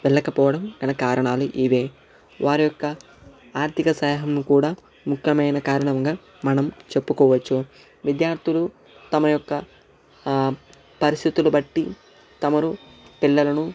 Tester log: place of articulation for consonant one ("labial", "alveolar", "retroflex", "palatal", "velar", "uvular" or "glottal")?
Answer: labial